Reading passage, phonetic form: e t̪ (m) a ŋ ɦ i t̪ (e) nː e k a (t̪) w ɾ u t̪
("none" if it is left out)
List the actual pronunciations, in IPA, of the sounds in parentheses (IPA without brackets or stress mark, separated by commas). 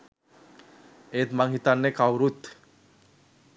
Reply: m, a, none